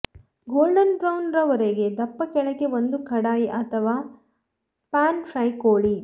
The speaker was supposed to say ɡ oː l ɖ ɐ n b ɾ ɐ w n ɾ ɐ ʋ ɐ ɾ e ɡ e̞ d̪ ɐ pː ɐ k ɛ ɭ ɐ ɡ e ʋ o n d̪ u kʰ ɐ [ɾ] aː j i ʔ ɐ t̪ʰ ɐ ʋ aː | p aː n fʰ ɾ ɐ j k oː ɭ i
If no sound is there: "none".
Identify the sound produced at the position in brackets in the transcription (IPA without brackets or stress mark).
ɽ